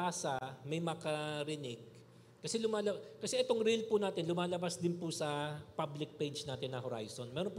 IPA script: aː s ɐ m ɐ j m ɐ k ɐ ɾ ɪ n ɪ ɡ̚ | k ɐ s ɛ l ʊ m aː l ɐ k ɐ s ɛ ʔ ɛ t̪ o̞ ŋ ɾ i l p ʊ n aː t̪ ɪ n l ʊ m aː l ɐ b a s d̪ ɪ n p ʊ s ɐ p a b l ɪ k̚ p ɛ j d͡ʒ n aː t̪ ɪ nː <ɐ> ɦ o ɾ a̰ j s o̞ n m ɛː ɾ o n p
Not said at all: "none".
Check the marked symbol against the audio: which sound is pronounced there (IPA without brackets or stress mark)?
ɐ